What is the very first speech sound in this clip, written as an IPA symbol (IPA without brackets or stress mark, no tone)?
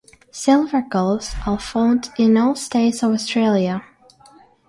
s